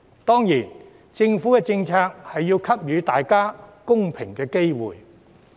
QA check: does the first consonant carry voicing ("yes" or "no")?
no